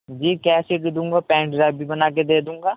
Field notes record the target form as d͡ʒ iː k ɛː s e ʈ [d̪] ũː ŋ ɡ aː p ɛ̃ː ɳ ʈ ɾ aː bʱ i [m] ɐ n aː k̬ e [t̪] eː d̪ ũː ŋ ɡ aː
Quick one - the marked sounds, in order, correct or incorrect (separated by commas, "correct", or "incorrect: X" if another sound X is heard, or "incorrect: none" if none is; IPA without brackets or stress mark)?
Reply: correct, incorrect: b, incorrect: d̪